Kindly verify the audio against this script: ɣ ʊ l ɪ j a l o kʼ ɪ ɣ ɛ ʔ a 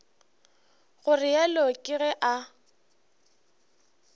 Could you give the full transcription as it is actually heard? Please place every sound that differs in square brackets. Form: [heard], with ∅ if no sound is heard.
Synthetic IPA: ɣ ʊ [r] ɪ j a l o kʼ ɪ ɣ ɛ ʔ a